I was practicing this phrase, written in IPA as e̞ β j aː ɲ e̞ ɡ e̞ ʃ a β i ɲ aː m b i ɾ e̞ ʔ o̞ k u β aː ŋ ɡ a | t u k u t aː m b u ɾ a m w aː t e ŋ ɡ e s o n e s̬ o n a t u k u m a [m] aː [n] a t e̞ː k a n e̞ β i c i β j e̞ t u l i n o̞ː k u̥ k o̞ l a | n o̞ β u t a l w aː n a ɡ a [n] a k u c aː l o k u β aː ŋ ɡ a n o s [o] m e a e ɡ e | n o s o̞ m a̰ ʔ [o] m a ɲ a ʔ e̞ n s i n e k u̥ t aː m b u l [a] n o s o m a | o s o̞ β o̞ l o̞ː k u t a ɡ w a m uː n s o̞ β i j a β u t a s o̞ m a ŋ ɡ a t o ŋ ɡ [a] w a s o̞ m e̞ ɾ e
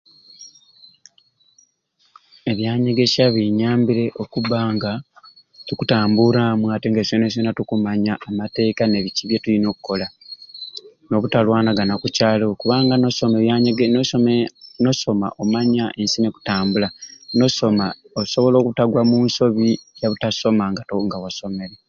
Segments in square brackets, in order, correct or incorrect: incorrect: ɲ, incorrect: m, correct, correct, correct, correct, correct

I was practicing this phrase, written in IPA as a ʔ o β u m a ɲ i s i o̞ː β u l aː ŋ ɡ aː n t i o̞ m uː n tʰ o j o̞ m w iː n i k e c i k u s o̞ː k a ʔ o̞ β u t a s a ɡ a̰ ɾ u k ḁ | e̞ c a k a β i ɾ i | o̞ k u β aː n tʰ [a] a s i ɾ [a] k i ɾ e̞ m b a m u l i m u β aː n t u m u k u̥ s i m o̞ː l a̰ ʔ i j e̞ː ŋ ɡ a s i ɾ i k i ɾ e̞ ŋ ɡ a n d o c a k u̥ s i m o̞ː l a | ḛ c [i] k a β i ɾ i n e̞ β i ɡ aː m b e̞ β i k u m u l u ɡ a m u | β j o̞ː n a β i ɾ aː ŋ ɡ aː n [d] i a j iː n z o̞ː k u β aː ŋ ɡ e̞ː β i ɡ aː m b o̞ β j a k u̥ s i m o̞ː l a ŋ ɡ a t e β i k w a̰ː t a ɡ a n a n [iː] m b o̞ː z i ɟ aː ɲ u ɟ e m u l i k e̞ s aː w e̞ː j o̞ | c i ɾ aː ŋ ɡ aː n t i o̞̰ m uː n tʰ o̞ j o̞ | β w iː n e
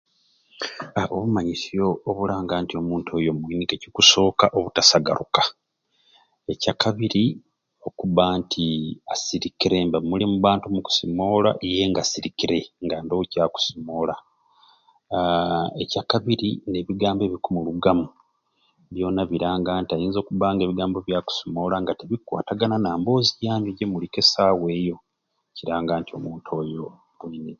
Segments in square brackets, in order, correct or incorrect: incorrect: i, incorrect: i, incorrect: a, incorrect: t, incorrect: aː

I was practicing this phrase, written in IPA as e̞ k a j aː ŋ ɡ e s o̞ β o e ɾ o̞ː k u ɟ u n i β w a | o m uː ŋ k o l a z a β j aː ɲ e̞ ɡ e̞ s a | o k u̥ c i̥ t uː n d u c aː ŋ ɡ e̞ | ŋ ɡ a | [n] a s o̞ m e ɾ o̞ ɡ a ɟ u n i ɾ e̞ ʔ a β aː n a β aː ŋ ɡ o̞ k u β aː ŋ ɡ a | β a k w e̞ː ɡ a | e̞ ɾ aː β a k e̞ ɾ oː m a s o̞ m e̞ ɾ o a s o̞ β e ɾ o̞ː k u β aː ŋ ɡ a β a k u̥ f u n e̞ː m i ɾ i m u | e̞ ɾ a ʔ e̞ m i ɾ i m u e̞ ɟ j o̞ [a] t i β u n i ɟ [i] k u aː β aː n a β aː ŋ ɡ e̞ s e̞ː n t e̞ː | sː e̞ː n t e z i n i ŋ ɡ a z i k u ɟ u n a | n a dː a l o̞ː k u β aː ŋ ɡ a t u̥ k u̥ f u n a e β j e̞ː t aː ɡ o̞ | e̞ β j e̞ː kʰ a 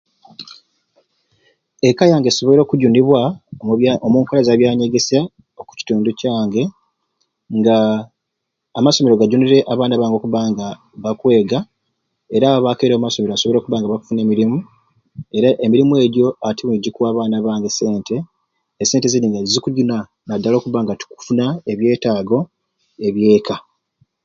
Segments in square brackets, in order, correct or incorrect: incorrect: m, correct, correct

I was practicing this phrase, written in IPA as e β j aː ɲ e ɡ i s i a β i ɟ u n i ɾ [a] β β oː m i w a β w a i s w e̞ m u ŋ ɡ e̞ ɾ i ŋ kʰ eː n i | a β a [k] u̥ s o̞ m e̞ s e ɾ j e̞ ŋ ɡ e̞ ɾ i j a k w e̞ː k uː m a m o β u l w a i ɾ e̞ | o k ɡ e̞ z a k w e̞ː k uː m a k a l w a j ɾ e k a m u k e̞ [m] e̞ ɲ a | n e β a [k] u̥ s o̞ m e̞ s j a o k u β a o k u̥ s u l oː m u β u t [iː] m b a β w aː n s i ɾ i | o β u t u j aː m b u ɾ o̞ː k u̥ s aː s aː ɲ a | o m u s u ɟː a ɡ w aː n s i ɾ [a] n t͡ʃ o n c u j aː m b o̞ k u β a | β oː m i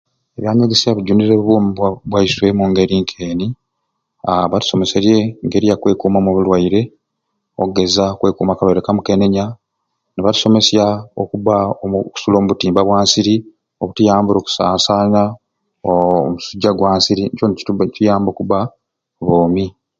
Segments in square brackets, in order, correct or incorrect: incorrect: e, incorrect: t, incorrect: n, incorrect: t, correct, incorrect: i

